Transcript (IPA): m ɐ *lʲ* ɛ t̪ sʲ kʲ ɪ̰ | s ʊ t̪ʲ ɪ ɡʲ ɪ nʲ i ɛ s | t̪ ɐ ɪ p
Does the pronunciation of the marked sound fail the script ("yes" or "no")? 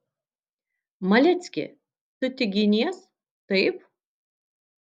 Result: no